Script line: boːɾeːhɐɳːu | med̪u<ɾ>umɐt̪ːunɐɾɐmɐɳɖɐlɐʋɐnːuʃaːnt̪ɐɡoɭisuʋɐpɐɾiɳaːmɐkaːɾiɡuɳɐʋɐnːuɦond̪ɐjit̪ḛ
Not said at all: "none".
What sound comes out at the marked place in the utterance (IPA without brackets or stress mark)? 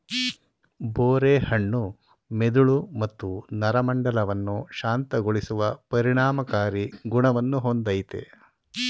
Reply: ɭ